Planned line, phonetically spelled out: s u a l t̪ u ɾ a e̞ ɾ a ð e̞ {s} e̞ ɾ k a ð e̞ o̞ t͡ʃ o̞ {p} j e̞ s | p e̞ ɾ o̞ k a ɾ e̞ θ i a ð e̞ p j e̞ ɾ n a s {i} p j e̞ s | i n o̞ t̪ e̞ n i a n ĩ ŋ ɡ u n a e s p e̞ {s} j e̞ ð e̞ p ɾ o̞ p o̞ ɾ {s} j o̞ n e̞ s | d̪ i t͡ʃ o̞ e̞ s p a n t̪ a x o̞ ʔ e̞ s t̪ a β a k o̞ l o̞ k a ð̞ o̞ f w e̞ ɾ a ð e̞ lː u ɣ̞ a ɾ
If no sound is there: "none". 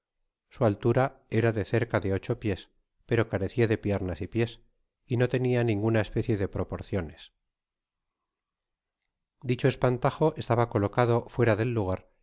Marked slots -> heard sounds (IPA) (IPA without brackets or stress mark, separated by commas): θ, p, i, θ, θ